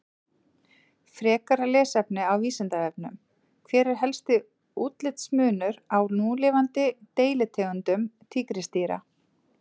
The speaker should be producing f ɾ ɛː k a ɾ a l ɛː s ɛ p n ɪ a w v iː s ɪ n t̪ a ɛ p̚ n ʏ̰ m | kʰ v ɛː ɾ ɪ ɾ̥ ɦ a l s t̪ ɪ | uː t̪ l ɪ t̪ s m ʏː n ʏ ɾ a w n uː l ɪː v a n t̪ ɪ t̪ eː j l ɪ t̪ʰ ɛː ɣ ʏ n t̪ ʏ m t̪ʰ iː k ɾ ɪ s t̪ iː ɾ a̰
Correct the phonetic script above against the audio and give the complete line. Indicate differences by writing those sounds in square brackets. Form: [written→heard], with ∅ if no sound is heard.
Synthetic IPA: f ɾ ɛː k a ɾ a l ɛː s ɛ p n ɪ a w v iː s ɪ n t̪ a ɛ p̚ n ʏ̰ m | kʰ v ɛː ɾ ɪ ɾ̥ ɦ [a→ɛ] l s t̪ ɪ | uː t̪ l ɪ t̪ s m ʏː n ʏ ɾ a w n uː l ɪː v a n t̪ ɪ t̪ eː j l ɪ t̪ʰ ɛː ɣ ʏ n t̪ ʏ m t̪ʰ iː k ɾ ɪ s t̪ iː ɾ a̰